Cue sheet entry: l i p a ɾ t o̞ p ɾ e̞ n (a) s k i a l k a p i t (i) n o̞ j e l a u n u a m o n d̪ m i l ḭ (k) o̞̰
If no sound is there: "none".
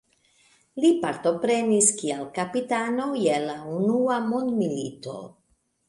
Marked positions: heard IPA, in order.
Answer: i, a, t

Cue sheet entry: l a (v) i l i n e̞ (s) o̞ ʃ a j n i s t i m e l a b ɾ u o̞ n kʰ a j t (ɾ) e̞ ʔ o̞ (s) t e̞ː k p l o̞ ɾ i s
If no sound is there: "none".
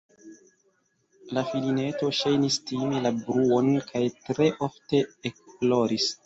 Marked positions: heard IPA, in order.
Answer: f, t, ɾ, f

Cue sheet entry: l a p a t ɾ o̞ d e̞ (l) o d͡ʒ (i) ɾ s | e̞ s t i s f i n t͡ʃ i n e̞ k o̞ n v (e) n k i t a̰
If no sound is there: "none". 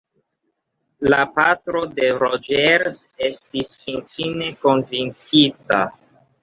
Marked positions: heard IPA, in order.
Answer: ɾ, e, i

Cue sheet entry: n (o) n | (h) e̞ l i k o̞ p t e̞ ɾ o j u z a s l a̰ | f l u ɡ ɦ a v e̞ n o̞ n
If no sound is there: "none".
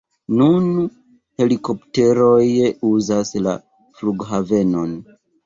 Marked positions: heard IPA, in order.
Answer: u, h

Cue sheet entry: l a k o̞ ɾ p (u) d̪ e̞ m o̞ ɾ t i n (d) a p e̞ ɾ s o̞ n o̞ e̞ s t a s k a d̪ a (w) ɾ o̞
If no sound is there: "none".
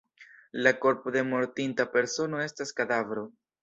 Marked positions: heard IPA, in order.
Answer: o, t, v

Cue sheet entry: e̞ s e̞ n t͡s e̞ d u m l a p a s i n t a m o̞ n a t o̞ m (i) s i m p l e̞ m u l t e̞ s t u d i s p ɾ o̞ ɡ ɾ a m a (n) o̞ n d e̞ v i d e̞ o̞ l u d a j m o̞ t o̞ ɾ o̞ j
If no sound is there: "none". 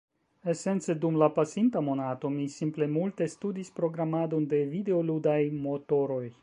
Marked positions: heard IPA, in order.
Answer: i, d

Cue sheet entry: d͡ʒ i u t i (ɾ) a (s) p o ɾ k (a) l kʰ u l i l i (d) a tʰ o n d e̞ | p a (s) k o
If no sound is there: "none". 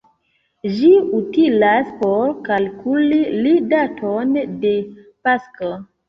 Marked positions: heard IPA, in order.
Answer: l, s, a, d, s

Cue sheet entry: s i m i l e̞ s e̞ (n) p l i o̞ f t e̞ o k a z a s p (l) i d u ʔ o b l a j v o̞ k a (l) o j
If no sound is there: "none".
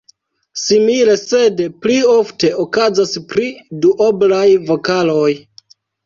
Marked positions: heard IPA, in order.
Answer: d, ɾ, l

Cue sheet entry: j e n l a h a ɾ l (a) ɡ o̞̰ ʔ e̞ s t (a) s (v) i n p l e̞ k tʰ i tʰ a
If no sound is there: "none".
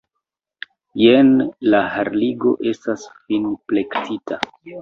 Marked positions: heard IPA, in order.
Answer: i, a, f

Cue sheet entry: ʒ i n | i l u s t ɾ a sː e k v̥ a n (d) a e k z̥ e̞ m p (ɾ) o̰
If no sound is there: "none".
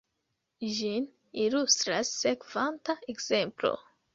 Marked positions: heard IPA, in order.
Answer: t, l

